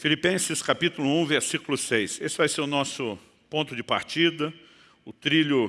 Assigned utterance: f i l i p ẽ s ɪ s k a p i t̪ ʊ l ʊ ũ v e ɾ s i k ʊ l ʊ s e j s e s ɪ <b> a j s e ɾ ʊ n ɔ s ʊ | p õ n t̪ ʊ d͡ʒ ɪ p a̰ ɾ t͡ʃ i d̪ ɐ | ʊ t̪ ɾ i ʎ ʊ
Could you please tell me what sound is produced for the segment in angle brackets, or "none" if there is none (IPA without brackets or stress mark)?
v